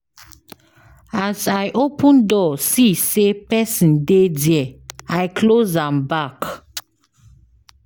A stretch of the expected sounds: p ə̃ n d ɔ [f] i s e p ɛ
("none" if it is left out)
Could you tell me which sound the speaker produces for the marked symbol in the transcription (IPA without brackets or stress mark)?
s